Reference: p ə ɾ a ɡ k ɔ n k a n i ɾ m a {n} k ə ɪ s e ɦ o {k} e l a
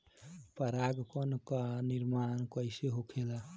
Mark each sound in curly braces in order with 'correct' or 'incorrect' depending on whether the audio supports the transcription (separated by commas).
correct, incorrect